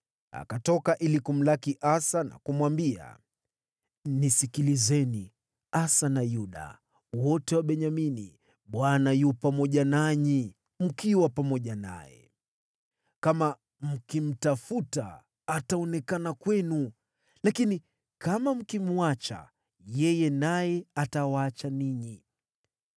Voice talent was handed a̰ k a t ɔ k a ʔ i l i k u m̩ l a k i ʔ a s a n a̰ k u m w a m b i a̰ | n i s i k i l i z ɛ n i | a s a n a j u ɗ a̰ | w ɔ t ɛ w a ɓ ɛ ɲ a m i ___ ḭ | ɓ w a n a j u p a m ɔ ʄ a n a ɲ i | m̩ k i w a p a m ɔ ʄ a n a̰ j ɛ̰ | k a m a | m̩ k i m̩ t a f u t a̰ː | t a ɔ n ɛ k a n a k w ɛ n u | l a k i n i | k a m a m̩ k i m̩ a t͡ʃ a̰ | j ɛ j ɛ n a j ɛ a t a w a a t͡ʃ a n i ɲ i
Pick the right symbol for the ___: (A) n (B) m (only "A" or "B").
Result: A